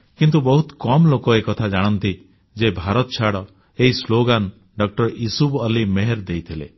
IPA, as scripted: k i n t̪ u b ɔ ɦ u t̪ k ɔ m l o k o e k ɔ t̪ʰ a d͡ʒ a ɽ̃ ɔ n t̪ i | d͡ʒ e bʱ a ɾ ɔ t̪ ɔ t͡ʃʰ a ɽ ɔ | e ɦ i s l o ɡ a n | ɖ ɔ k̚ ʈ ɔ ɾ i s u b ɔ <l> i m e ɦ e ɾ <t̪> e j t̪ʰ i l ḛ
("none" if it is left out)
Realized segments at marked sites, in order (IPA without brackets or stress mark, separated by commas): l, d̪